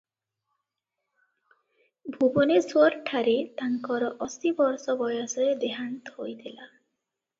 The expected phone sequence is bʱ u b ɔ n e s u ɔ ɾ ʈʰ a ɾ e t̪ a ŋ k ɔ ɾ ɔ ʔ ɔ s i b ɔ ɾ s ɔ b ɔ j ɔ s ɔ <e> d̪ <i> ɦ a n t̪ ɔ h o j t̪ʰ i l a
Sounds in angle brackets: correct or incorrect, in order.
correct, incorrect: e

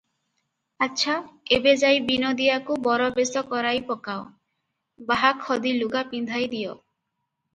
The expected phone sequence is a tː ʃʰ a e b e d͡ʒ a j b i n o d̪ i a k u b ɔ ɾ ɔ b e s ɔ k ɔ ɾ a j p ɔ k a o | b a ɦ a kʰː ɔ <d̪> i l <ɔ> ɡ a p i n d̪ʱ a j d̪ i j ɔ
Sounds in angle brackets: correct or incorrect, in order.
correct, incorrect: u

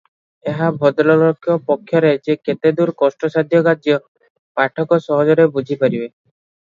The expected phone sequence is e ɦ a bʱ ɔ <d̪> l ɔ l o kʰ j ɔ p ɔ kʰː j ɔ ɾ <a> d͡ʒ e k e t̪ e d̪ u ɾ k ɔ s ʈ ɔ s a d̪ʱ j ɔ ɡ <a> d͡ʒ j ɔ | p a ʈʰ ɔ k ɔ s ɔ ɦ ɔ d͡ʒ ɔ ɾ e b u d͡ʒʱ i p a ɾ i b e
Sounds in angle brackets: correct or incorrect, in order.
correct, incorrect: e, correct

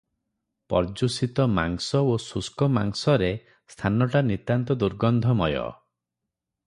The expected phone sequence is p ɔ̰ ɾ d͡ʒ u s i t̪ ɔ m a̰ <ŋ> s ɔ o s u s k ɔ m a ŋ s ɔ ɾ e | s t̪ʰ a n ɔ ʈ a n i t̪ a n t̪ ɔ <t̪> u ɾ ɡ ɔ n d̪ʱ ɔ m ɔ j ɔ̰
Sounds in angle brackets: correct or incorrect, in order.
correct, incorrect: d̪

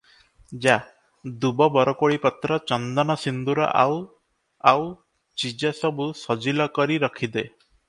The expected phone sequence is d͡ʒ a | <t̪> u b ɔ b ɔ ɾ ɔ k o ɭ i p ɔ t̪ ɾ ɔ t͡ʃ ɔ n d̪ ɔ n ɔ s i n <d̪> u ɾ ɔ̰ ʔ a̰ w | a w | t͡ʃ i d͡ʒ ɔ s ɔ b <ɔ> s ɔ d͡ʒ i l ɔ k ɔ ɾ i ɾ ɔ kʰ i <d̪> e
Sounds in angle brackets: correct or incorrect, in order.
incorrect: d̪, correct, incorrect: u, correct

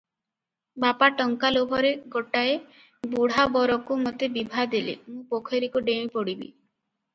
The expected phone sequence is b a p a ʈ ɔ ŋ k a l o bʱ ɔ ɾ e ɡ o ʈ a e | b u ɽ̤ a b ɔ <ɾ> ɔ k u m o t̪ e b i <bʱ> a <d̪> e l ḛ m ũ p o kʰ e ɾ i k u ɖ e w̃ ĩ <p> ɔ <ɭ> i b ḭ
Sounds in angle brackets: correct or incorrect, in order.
correct, correct, correct, correct, incorrect: ɽ

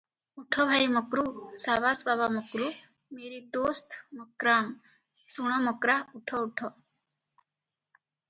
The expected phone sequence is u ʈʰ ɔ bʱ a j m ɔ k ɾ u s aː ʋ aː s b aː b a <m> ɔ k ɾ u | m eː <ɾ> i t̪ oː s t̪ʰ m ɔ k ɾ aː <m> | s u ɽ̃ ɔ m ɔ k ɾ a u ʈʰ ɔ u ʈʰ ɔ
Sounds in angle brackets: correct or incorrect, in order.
correct, correct, correct

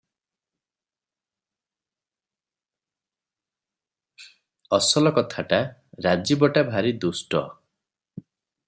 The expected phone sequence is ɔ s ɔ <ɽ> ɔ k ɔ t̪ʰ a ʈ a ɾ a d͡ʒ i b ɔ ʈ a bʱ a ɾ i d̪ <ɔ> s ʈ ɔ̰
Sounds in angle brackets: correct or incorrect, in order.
incorrect: l, incorrect: u

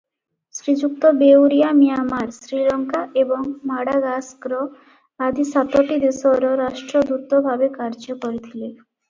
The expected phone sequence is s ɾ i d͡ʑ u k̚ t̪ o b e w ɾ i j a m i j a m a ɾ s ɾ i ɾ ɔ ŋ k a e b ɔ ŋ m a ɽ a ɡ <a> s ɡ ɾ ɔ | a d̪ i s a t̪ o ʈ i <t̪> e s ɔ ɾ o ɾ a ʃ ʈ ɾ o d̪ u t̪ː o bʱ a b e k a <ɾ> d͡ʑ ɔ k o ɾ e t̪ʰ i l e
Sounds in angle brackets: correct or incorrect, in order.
correct, incorrect: d̪, correct

